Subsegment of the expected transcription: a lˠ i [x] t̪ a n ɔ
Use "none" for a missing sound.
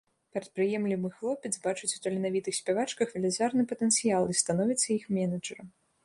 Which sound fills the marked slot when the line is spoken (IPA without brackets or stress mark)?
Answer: s